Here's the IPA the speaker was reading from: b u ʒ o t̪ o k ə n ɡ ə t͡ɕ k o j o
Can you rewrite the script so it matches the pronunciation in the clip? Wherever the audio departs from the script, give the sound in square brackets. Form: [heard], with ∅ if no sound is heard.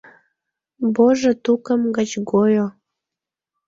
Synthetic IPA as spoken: b [o] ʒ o t̪ [u] k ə [m] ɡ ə t͡ɕ [ɡ] o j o